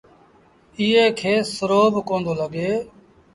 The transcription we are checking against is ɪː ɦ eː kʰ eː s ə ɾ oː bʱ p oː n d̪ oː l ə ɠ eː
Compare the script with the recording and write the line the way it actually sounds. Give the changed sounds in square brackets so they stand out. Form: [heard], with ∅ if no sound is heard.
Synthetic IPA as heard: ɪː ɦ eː kʰ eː s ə ɾ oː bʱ [k] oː n d̪ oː l ə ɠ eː